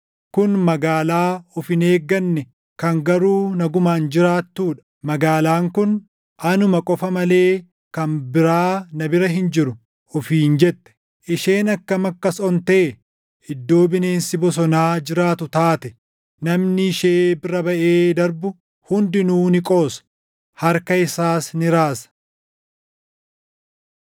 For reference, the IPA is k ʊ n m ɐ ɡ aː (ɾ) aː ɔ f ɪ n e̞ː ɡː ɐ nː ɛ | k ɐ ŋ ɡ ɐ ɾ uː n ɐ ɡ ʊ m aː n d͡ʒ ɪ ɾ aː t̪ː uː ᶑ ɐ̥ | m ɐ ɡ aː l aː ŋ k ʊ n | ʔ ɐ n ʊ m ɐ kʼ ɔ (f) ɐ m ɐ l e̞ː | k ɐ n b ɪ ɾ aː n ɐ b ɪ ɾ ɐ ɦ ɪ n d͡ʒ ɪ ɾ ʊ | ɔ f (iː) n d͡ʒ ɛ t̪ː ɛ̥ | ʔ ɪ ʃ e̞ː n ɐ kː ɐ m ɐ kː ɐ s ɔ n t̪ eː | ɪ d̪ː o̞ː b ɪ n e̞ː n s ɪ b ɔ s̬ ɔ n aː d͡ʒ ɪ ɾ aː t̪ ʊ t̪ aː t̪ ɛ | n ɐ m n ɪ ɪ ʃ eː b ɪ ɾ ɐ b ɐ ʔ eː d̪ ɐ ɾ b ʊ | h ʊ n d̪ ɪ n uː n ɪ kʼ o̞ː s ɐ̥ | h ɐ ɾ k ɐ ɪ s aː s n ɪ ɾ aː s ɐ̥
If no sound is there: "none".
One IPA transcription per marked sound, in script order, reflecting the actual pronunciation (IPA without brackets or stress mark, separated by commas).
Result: l, f, iː